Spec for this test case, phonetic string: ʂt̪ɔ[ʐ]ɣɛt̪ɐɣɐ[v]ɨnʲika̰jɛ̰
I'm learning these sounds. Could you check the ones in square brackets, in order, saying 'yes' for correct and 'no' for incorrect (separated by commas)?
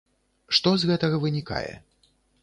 no, yes